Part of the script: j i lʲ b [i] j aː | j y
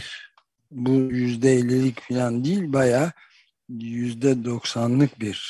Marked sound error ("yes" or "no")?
yes